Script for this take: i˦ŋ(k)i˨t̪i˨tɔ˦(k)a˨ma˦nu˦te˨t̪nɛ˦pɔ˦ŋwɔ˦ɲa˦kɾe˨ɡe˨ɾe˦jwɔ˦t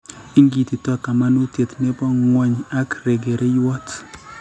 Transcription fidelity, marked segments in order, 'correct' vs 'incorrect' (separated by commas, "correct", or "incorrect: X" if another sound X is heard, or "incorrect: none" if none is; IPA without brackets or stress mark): incorrect: ɡ, correct